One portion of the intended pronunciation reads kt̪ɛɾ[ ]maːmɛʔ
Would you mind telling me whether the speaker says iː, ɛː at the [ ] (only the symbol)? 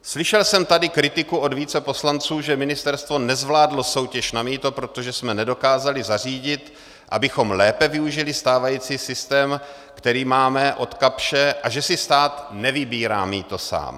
iː